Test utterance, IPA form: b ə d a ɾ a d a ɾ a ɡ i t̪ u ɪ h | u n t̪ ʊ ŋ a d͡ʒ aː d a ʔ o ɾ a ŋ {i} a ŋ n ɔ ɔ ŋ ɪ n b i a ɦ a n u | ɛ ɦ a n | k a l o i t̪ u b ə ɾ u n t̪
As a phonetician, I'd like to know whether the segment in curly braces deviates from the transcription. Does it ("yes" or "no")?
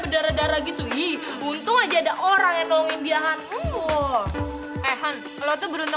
yes